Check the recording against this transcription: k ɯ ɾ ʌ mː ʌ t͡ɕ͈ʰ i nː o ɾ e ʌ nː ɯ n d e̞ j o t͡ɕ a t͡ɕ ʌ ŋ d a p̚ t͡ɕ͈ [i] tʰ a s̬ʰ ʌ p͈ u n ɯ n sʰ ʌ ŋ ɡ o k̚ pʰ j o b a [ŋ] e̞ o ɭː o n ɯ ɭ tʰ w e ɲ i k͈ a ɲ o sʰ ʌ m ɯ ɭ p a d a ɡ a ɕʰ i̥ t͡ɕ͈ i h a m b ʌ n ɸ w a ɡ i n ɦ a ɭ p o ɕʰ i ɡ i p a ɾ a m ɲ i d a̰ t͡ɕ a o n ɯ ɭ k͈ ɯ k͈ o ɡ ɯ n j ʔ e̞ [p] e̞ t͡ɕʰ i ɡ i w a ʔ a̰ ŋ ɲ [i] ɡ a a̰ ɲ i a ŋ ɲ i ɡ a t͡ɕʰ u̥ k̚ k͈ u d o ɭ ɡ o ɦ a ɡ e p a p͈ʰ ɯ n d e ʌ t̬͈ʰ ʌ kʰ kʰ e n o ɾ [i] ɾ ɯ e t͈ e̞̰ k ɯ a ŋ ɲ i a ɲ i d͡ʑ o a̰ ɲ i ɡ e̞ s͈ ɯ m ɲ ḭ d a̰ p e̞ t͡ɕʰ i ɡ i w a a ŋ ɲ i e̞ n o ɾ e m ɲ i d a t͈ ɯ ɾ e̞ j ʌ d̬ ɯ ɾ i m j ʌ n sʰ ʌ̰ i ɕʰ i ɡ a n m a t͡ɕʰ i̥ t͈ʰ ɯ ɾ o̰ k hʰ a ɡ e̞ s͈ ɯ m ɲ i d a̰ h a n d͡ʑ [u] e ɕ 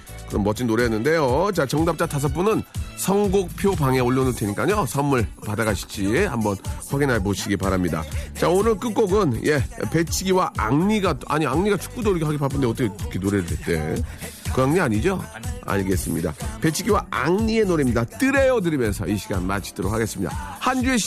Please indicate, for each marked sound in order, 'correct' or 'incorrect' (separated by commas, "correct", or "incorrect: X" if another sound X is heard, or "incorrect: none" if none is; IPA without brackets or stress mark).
incorrect: a, correct, correct, correct, incorrect: e, correct